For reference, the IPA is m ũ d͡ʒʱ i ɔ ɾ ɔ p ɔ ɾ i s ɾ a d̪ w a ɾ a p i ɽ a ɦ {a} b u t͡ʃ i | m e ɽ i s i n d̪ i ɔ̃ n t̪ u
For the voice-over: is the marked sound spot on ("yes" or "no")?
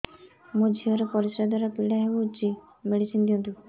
no